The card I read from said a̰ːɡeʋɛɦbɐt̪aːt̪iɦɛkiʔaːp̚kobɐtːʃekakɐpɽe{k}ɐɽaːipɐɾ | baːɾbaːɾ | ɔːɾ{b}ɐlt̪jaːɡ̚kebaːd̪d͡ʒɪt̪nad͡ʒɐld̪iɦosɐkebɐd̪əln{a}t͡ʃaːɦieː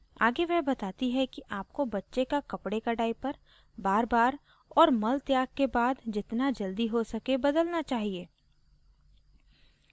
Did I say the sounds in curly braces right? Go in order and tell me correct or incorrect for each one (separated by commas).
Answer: correct, incorrect, correct